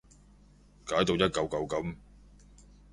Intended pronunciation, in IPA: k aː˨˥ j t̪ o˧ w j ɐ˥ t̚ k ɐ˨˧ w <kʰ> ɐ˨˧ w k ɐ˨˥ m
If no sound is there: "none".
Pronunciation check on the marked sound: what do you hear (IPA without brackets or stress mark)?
k